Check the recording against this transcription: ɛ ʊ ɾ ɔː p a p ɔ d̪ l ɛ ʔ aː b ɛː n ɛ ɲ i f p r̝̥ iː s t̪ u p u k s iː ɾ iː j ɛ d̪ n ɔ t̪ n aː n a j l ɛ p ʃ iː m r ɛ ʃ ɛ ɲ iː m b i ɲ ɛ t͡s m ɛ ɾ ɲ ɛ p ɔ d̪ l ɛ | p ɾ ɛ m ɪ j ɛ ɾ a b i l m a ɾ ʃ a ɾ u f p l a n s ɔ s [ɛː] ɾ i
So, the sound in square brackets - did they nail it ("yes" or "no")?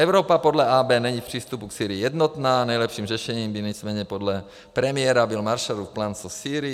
no